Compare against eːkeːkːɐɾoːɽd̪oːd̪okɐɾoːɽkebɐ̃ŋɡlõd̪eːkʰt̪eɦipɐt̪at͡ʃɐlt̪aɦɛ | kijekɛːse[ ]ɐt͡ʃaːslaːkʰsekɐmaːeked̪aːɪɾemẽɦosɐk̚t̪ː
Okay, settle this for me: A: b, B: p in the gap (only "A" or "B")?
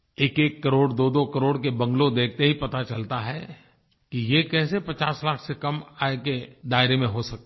B